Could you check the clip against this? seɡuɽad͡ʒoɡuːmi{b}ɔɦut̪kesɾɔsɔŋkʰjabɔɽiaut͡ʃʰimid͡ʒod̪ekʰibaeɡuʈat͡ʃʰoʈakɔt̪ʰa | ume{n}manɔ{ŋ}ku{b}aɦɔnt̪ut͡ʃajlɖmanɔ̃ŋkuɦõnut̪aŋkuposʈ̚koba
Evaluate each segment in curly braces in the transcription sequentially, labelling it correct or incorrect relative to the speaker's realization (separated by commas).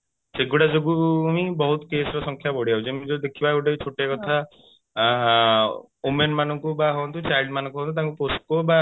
correct, correct, correct, correct